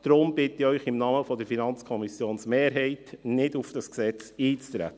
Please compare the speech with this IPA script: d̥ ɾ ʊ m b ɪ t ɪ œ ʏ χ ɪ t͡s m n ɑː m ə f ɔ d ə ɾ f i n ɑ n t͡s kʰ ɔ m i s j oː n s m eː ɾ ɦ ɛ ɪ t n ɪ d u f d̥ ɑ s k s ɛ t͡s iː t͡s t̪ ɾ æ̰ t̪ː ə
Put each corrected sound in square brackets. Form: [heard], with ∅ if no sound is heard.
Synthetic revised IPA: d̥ ɾ ʊ m b ɪ t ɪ œ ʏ χ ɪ [∅] m n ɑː m ə f ɔ d ə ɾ f i n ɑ n t͡s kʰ ɔ m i s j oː n s m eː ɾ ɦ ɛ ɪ t n ɪ d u f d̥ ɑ s k s ɛ t͡s iː t͡s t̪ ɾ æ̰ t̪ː ə